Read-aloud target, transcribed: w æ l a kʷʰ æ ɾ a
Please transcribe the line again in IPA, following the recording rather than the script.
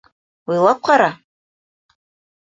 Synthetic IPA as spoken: w i l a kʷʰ a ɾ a